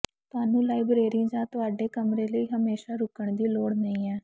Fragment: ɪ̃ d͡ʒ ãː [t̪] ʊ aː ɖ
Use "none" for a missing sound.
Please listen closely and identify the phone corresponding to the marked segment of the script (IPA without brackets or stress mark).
t̪